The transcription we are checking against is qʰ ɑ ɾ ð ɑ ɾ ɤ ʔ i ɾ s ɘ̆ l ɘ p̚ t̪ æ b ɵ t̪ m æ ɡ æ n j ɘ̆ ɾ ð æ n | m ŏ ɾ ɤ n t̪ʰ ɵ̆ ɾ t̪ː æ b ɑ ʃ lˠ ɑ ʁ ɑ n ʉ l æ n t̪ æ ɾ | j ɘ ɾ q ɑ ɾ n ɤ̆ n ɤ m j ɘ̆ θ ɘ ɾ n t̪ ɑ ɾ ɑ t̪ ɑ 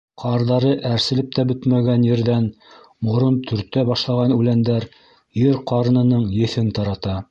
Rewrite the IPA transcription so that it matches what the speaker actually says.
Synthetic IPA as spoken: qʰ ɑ ɾ ð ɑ ɾ ɤ ʔ æ ɾ s ɘ̆ l ɘ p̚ t̪ æ b ɵ t̪ m æ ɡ æ n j ɘ̆ ɾ ð æ n | m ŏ ɾ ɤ n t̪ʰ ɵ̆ ɾ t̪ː æ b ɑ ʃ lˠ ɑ ʁ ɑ n ʉ l æ n d̪ æ ɾ | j ɘ ɾ q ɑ ɾ n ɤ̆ n ɤ ɴ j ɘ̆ θ ɘ n t̪ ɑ ɾ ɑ t̪ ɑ